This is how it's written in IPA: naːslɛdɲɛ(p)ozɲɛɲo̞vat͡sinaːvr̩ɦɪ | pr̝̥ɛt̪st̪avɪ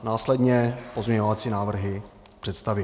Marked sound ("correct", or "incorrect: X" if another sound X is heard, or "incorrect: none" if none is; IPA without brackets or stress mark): correct